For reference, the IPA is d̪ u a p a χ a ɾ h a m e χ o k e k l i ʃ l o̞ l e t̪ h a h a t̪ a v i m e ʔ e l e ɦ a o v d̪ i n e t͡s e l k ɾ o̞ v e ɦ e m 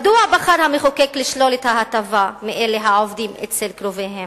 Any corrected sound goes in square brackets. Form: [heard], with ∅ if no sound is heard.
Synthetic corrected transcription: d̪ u a [b] a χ a ɾ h a m e χ o k e k l i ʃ l o̞ l e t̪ h a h a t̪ a v [a] m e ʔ e l e ɦ a o v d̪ i [m] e t͡s e l k ɾ o̞ v e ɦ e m